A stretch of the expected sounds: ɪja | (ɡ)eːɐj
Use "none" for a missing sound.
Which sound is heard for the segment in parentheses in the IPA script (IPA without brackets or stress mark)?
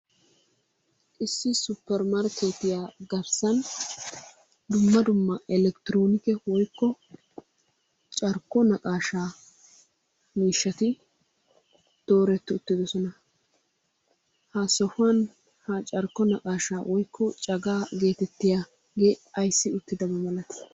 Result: ɡ